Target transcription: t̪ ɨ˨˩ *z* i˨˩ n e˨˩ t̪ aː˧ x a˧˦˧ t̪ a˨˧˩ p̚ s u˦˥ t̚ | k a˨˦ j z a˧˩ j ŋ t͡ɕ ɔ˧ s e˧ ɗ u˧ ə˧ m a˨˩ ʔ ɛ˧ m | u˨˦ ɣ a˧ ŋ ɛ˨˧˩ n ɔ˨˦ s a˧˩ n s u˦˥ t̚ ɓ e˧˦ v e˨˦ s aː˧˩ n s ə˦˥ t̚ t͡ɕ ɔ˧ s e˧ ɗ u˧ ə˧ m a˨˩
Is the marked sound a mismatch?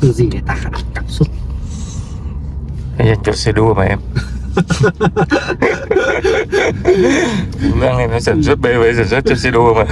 no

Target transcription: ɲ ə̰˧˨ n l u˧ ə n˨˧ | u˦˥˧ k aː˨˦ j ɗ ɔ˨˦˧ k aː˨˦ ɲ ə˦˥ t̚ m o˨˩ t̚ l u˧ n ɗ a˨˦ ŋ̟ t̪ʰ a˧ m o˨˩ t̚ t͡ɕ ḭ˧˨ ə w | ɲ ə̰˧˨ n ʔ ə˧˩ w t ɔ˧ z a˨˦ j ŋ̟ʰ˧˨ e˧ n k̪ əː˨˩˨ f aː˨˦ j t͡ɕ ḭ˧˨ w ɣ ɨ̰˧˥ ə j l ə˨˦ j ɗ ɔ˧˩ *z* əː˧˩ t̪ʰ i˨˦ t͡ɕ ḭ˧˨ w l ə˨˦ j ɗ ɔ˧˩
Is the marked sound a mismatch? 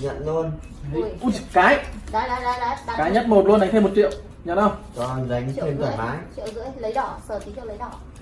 yes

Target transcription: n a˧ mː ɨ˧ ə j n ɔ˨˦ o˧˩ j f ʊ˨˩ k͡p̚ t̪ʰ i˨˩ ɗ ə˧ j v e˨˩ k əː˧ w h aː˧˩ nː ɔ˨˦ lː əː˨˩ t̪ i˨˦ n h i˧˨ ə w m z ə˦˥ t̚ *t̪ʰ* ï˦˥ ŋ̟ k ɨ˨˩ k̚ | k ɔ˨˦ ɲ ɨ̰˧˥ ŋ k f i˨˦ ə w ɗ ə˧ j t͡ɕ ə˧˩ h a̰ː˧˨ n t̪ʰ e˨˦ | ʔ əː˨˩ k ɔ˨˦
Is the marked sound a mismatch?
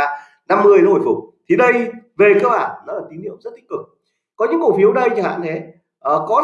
yes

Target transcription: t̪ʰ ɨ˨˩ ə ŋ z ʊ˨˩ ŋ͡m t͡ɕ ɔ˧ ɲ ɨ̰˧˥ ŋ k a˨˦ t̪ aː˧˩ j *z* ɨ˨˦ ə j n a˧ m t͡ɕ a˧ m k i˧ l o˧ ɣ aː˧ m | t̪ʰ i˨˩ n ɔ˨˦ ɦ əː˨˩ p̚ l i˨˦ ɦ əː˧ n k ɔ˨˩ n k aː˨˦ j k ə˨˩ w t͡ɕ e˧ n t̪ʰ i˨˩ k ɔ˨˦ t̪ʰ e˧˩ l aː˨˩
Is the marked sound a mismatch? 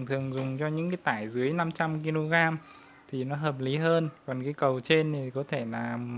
no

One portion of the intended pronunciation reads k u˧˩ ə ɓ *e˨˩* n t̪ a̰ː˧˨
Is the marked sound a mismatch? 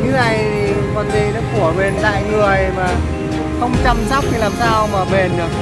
no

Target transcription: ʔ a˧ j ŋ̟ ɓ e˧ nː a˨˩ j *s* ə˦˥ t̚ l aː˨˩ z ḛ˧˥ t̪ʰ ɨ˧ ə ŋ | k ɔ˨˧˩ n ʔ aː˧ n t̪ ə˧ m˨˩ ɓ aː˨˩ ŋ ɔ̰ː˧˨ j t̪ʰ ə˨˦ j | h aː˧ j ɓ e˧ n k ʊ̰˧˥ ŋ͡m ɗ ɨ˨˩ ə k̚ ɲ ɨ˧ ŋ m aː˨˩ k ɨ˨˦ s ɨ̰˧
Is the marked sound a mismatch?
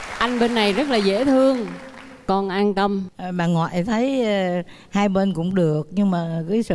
yes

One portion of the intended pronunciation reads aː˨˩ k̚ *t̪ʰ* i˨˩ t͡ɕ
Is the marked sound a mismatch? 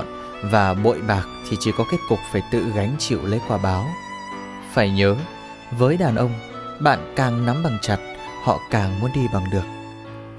no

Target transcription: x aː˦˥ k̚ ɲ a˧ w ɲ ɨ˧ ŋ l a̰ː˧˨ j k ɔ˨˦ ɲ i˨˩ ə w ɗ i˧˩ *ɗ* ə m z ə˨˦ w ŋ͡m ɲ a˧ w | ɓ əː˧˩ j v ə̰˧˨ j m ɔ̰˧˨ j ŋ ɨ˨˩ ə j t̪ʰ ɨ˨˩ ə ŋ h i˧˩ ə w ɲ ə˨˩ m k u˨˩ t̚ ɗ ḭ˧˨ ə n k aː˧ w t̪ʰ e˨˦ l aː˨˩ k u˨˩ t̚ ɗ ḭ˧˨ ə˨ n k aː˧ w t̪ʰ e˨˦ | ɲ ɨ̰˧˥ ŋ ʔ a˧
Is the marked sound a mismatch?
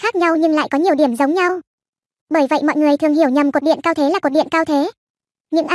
yes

